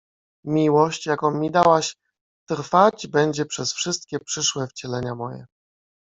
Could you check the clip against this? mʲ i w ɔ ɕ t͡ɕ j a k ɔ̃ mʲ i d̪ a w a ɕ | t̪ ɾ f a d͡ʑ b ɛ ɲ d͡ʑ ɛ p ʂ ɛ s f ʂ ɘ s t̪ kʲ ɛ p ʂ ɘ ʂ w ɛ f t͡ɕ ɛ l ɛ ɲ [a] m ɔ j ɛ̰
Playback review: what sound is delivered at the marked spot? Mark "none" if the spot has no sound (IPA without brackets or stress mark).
a